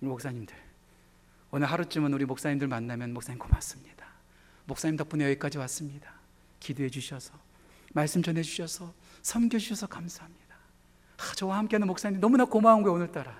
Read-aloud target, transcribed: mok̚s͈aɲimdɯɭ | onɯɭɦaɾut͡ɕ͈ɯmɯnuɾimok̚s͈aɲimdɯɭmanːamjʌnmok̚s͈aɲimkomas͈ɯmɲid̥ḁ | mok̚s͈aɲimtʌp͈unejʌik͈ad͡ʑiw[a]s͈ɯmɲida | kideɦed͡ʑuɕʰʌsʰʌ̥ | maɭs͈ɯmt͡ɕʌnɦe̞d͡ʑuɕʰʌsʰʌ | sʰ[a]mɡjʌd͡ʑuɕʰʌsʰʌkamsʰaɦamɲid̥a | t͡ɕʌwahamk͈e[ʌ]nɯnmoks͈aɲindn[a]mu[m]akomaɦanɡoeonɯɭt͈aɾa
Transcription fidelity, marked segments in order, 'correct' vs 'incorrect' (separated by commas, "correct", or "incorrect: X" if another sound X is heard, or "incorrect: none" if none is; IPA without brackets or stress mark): correct, incorrect: ʌ, incorrect: a, incorrect: ʌ, incorrect: n